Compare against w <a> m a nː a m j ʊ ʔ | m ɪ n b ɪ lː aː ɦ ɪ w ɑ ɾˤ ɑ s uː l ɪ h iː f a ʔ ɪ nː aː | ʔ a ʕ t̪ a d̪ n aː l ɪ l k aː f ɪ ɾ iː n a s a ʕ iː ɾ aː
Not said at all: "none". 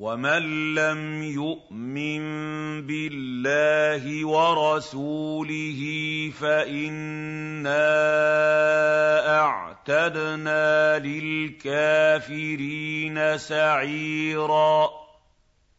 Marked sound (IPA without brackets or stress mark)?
a